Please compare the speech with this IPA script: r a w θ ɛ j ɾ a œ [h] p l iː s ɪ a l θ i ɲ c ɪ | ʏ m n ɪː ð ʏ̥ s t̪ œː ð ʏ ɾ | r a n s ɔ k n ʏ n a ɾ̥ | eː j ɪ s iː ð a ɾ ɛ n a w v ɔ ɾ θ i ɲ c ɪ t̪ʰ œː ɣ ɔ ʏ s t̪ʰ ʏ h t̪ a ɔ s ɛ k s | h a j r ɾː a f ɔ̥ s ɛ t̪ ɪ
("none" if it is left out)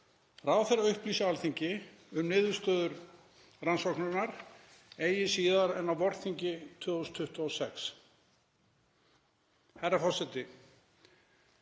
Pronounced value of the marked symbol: h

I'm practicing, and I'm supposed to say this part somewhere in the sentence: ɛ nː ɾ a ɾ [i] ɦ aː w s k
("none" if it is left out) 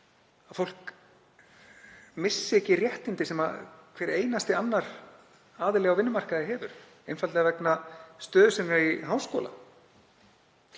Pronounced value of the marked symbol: i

